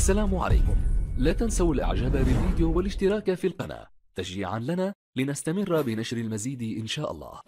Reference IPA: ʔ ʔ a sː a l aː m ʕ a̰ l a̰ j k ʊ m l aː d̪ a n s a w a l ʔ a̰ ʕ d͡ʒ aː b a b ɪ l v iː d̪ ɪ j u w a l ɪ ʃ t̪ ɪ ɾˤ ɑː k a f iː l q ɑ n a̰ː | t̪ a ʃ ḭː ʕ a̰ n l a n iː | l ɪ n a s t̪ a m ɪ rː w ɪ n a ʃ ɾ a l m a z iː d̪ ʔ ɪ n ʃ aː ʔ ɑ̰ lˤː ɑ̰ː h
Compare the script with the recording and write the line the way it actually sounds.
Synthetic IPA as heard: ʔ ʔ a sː a l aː m ʕ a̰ l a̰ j k ʊ m l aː t̪ a n s a w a l ʔ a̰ ʕ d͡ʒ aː b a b ɪ l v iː d̪ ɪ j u w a l ɪ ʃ t̪ ɪ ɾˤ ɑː k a f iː l q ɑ n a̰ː | t̪ a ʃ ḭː ʕ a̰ n l a n aː | l ɪ n a s t̪ a m ɪ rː b ɪ n a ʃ ɾ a l m a z iː d̪ ʔ ɪ n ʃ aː ʔ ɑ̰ lˤː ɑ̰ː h